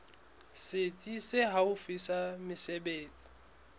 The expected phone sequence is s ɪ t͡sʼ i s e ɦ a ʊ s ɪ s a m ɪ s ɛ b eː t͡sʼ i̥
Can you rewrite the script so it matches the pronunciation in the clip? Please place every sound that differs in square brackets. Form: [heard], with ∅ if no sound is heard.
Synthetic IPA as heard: s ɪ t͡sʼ i s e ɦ a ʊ [f] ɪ s a m ɪ s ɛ b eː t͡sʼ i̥